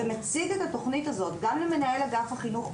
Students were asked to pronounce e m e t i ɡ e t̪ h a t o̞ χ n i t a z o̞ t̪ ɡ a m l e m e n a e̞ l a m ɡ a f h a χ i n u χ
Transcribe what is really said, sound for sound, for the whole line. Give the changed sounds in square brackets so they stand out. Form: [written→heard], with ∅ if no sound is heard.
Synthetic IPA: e m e [t→t͡s] i ɡ e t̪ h a t o̞ χ n i t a z o̞ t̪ ɡ a m l e m e n a e̞ l a [m→∅] ɡ a f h a χ i n u χ